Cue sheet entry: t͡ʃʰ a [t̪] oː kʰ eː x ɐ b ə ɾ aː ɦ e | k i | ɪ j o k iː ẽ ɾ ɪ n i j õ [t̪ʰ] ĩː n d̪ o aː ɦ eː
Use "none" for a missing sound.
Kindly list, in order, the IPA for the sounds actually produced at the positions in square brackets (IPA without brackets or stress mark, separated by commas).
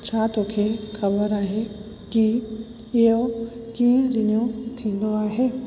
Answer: t̪, t̪ʰ